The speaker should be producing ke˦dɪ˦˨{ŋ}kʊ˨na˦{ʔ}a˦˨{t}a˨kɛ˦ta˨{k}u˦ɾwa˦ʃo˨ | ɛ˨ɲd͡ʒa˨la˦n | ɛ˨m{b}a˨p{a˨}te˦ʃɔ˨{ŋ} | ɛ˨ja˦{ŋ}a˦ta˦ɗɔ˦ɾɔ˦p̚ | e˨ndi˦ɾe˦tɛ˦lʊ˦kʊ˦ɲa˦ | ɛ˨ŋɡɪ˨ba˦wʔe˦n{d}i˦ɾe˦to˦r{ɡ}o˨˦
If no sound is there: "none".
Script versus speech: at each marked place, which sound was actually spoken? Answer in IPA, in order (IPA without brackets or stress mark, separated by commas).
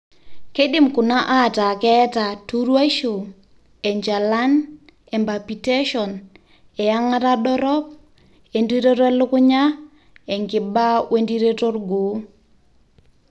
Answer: m, ʔ, t, t, b, i˨, n, ŋ, d, ɡ